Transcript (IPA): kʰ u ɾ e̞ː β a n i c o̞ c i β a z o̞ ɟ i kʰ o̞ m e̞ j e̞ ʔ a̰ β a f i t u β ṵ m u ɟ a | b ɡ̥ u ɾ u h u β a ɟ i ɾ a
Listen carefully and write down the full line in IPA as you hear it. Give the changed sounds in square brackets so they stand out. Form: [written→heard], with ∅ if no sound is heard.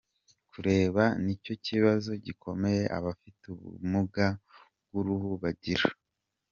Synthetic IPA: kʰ u ɾ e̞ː β a n i c o̞ c i β a z o̞ ɟ i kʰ o̞ m e̞ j e̞ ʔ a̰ β a f i t u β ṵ m u [ɟ→ɡ] a | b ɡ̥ u ɾ u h u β a ɟ i ɾ a